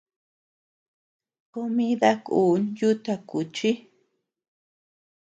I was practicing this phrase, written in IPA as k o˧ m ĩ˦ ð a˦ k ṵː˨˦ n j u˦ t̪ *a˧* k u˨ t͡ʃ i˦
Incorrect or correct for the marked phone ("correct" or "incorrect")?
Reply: correct